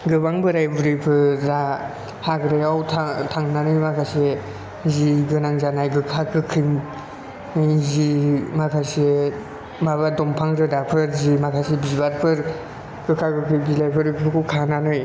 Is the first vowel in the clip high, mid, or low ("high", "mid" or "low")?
high